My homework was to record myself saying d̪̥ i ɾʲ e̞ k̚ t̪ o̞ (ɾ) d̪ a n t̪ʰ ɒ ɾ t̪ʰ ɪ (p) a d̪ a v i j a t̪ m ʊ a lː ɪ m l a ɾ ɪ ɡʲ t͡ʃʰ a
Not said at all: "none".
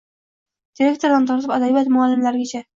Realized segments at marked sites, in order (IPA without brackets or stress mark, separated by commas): ɾ, p